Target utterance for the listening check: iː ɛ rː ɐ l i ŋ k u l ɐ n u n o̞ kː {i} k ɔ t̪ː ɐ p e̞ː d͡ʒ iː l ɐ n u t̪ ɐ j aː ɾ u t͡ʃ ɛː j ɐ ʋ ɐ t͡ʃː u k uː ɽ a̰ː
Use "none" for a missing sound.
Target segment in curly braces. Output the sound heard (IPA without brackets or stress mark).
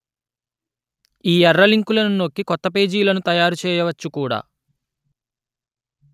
i